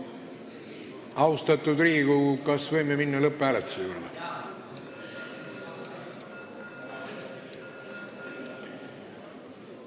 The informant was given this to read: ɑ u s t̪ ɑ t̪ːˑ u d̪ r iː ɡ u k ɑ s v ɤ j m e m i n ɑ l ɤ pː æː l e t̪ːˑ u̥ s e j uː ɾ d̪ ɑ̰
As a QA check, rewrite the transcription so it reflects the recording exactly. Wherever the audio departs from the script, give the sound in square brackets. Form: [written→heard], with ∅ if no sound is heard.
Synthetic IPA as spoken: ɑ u s t̪ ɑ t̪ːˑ u d̪ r iː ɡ u k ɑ s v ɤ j m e m i [n→nː] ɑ l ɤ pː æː l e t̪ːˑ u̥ s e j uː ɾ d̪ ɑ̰